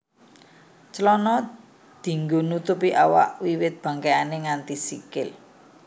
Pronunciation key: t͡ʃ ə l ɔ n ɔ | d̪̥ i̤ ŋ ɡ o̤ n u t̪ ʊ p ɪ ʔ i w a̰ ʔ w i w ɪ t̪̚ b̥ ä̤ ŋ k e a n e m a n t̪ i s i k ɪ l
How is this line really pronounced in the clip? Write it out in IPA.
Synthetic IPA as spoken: t͡ʃ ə l ɔ n ɔ | d̪̥ i̤ ŋ ɡ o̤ n u t̪ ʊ p i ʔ a w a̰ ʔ w i w ɪ t̪̚ b̥ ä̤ ŋ k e a n e ŋ a n t̪ i s i k ɪ l